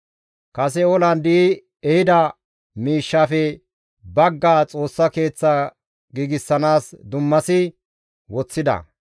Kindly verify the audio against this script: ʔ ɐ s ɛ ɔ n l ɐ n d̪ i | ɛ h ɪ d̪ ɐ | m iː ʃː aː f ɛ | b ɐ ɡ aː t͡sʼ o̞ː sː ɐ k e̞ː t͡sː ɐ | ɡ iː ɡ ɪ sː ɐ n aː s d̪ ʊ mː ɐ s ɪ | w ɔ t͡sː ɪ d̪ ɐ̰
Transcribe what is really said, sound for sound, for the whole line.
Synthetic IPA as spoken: k ɐ s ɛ ɔ l ɐ n d̪ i | ɛ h ɪ d̪ ɐ | m iː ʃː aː f ɛ | b ɐ ɡː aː t͡sʼ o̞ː sː ɐ k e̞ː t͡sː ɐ | ɡ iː ɡ ɪ sː ɐ n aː s d̪ ʊ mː ɐ s ɪ | w ɔ t͡sː ɪ d̪ ɐ̰